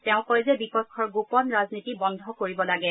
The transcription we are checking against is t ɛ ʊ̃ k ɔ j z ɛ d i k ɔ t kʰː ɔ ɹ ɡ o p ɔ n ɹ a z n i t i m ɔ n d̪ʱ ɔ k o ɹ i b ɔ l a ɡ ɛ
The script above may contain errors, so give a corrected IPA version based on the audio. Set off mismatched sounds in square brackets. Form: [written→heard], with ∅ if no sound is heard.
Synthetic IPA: t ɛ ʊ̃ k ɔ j z ɛ [d→b] i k ɔ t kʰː ɔ ɹ ɡ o p ɔ n ɹ a z n i t i [m→b] ɔ n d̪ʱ ɔ k o ɹ i b ɔ l a ɡ ɛ